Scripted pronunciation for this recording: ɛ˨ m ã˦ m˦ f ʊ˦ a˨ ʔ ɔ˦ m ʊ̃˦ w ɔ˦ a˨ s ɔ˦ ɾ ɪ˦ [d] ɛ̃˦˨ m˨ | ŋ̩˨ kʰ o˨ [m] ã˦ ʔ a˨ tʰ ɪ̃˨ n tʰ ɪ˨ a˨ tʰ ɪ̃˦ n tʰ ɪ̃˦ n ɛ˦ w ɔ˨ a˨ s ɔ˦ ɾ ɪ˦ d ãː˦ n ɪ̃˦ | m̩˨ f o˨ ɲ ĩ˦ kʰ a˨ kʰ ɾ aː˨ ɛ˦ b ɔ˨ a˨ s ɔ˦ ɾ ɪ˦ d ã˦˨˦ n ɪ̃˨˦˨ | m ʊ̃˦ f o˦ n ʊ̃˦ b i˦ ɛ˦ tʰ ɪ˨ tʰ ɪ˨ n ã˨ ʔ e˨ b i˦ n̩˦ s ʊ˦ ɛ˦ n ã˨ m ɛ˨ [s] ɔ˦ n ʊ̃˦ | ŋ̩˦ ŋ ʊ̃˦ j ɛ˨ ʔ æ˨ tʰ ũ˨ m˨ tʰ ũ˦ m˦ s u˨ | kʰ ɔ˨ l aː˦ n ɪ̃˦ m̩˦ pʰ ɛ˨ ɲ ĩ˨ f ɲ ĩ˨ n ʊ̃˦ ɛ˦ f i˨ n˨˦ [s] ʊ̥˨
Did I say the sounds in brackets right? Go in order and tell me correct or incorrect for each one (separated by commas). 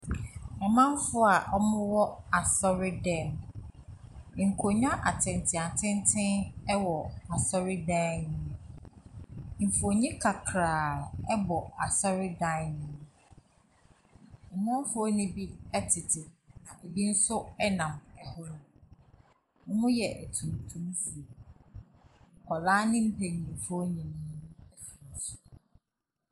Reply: correct, incorrect, incorrect, correct